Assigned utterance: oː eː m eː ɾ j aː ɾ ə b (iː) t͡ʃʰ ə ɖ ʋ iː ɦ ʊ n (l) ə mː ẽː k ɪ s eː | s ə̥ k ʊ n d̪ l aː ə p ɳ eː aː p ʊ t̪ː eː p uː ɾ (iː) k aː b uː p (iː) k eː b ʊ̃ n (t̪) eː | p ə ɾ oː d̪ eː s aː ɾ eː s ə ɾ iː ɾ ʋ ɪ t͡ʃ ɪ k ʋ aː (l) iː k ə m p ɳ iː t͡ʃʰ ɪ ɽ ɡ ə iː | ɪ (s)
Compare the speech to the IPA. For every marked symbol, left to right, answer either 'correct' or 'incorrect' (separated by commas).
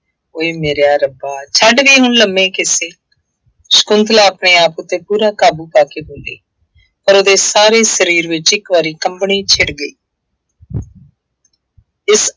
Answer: incorrect, correct, incorrect, incorrect, incorrect, incorrect, correct